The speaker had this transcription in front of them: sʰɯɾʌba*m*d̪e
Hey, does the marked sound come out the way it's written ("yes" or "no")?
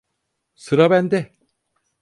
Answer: no